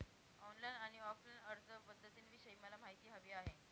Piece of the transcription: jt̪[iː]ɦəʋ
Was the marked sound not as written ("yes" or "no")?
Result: no